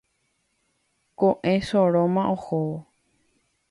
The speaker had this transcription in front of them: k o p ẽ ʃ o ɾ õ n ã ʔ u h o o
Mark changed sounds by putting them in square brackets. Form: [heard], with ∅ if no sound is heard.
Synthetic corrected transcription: k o [ʔ] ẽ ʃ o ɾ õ [m] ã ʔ [o] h o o

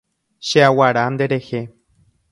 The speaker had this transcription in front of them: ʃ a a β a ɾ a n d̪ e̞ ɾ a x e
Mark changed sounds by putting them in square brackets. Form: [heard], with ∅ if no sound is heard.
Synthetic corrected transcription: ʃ [e] a [w] a ɾ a n d̪ e̞ ɾ [e] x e

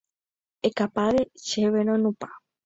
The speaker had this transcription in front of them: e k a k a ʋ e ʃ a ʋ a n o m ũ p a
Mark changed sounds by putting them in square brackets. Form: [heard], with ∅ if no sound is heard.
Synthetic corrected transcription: e k a [p] a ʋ e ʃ [e] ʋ [e] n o [n] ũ p a

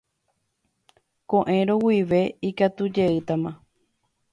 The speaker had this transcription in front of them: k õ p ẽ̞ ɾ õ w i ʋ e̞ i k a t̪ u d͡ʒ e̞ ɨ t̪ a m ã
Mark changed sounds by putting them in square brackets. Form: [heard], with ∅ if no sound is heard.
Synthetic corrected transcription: k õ [ʔ] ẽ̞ ɾ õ w i ʋ e̞ i k a t̪ u d͡ʒ e̞ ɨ t̪ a m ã

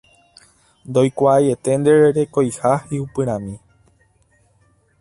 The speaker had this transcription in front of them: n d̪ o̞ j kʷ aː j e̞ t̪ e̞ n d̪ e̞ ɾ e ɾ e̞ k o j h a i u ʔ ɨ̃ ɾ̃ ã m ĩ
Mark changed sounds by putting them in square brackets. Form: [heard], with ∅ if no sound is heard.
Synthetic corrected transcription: n d̪ o̞ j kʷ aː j e̞ t̪ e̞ n d̪ e̞ ɾ e ɾ e̞ k o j h a i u [p] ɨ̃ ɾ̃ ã m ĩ

